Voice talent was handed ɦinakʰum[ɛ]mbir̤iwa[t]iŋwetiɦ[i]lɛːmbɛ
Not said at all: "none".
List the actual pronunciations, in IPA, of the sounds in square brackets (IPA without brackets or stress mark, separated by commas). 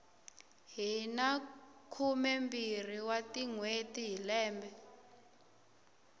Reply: ɛ, t, i